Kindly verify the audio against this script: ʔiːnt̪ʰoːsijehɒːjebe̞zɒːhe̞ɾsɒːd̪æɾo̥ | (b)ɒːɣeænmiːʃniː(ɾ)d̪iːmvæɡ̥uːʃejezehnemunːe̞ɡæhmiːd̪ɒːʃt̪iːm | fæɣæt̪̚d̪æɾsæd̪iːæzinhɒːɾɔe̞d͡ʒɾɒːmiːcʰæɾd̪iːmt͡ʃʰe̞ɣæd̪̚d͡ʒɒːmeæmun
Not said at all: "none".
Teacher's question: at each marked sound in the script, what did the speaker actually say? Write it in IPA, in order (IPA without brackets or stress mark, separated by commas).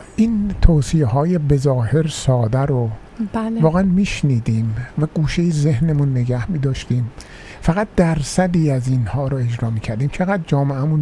v, none